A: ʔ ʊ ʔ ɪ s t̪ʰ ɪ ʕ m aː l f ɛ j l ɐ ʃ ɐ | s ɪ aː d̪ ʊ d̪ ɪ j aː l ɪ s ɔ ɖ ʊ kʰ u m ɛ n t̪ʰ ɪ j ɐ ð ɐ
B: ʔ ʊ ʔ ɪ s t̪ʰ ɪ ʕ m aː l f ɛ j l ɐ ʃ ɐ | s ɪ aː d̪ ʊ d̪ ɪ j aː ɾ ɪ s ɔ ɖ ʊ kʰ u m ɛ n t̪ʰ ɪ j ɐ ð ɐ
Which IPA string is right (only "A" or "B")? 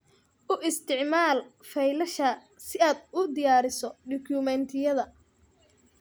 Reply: B